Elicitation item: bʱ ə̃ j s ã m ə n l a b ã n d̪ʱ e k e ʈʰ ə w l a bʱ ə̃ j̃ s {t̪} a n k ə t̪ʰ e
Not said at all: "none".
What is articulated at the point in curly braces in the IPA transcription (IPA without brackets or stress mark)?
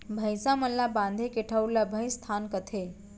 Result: t̪ʰ